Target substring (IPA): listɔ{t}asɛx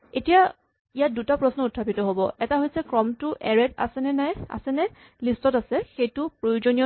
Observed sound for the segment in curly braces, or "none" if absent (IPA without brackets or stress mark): t